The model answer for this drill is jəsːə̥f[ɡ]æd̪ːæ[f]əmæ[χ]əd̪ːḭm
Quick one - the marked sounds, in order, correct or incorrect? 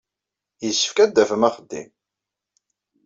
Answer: incorrect, correct, correct

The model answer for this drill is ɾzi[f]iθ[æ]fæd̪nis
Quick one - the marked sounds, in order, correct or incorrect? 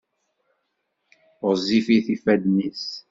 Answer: correct, incorrect

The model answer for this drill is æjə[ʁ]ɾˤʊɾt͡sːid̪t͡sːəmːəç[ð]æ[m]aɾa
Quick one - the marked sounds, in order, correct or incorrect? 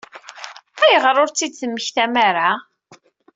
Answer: correct, incorrect, correct

